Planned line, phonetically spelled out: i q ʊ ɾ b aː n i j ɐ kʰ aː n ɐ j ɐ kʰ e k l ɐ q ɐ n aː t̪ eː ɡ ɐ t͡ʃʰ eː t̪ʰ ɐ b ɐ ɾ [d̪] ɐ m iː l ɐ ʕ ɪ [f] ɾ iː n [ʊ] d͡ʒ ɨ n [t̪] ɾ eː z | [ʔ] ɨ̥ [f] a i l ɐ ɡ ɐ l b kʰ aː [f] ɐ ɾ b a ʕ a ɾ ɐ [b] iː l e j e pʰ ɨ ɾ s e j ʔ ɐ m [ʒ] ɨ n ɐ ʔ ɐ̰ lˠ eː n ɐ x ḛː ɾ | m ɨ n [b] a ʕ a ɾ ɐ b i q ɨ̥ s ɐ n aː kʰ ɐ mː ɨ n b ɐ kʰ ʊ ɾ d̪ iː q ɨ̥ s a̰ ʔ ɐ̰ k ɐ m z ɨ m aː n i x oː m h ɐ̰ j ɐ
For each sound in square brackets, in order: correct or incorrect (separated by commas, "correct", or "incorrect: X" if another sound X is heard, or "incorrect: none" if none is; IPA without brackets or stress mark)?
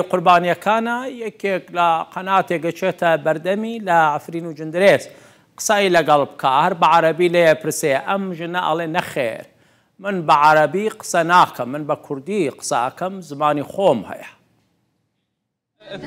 correct, correct, incorrect: u, incorrect: d̪, incorrect: q, incorrect: s, incorrect: h, correct, correct, correct